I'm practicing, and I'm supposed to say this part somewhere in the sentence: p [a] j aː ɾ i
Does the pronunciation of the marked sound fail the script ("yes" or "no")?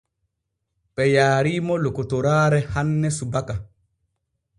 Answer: yes